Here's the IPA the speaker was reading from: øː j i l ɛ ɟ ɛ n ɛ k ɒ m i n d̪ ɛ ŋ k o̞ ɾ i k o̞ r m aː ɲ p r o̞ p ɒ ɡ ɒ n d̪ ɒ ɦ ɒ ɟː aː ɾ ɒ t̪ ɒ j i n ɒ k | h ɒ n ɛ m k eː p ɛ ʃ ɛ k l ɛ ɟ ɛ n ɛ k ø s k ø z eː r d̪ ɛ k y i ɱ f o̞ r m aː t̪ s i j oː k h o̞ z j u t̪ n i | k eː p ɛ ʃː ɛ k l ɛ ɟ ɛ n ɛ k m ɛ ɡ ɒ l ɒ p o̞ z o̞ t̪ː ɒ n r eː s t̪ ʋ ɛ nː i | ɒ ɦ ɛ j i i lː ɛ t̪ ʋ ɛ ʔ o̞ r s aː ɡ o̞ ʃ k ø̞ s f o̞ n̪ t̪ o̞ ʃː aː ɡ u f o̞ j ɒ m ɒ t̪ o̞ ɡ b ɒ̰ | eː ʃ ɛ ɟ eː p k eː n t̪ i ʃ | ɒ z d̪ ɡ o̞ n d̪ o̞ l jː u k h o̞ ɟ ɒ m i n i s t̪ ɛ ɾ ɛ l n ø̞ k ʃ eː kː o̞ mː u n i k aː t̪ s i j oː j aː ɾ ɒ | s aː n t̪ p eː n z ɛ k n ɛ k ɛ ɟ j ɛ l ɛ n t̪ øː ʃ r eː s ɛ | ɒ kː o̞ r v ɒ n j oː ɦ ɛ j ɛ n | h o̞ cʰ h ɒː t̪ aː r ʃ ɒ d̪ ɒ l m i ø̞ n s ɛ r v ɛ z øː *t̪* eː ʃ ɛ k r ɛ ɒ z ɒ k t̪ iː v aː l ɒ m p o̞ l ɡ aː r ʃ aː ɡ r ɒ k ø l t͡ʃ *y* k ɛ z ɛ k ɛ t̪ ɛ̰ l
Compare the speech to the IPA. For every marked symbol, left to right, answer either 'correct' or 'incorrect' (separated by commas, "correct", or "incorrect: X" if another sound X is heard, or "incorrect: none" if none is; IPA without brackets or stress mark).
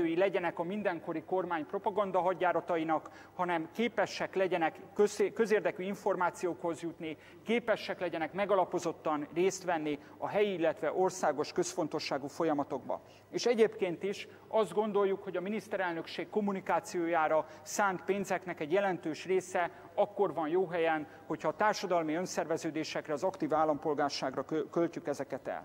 incorrect: d̪, correct